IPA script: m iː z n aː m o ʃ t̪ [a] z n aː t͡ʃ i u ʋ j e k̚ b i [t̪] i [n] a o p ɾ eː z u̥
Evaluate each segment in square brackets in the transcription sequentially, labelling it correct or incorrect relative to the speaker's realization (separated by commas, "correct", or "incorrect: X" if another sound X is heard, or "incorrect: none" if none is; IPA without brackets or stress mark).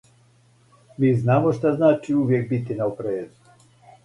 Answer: correct, correct, correct